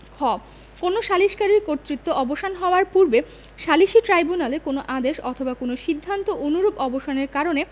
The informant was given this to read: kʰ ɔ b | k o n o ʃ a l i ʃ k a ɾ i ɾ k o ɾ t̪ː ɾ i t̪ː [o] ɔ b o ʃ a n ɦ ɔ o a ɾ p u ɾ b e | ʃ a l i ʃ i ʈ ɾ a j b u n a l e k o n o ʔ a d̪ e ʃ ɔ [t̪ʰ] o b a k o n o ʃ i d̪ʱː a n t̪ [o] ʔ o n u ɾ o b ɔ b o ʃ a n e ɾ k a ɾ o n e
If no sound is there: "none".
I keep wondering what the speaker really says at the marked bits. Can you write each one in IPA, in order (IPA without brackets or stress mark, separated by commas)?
o, t̪ʰ, o